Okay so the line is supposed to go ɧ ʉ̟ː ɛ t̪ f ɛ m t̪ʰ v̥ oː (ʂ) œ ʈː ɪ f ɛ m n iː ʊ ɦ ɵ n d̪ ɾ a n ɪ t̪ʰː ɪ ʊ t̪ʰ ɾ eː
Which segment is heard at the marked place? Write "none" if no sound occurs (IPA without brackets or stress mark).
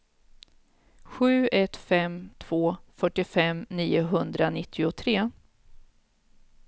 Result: f